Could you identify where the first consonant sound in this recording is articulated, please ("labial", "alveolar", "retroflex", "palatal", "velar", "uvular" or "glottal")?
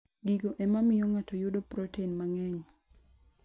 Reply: velar